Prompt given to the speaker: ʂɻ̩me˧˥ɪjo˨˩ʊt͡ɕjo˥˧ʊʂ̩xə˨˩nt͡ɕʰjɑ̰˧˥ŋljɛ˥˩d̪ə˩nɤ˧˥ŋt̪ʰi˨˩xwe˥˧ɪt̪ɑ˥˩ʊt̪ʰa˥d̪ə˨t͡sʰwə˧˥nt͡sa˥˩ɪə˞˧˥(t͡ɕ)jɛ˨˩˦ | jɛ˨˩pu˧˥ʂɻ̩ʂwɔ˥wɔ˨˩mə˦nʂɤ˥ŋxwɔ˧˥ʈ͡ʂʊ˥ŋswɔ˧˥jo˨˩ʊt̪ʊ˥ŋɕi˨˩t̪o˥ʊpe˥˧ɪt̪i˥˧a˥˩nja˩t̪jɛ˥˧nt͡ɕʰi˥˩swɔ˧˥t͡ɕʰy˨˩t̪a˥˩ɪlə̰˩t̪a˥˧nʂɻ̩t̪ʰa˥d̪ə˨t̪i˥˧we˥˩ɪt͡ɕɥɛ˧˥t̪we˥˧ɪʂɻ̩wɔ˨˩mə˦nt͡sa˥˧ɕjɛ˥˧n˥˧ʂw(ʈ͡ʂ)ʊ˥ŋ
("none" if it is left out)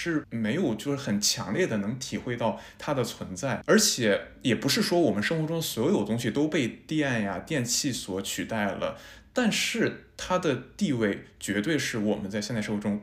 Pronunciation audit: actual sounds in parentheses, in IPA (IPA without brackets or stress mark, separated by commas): t͡ɕʰ, ʈ͡ʂ